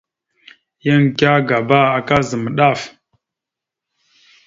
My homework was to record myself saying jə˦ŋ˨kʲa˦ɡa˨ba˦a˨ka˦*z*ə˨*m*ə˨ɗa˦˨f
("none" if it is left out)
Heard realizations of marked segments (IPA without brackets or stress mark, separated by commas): z, m